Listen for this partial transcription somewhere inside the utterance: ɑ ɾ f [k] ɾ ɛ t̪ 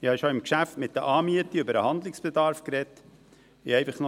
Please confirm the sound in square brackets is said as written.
yes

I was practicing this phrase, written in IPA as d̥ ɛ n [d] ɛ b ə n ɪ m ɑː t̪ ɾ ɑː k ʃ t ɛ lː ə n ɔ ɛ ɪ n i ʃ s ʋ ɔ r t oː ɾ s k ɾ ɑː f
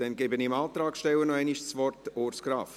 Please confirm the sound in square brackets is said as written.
no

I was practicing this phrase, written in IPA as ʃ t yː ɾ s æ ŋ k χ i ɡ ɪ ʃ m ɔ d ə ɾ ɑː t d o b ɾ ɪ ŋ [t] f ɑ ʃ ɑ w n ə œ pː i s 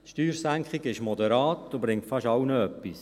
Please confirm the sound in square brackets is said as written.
yes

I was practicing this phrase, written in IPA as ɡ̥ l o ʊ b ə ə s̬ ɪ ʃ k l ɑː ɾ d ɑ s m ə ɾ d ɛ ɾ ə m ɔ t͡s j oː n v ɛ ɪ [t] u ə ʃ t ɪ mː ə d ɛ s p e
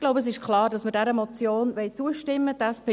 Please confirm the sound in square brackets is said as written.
no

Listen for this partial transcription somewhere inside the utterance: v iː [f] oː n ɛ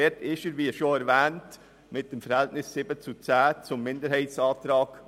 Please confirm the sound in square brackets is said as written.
no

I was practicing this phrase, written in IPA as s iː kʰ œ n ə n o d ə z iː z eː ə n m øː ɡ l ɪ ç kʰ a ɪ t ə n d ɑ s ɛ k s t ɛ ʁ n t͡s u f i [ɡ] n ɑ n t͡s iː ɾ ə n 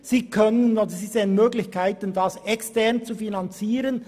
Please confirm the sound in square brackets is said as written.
no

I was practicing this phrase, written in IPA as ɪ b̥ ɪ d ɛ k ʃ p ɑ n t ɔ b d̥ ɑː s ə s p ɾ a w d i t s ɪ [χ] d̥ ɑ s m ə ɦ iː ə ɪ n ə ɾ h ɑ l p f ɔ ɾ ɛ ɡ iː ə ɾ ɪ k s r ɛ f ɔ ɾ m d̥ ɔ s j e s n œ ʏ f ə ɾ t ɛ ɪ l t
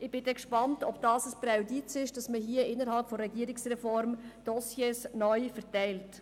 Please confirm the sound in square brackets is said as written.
no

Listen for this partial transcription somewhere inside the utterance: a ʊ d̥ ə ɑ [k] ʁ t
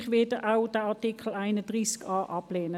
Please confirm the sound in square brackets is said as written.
no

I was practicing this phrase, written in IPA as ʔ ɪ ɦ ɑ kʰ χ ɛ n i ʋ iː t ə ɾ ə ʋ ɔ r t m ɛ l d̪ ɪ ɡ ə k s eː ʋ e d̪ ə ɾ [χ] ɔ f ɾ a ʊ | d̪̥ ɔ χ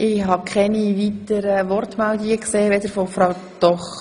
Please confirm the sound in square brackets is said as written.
no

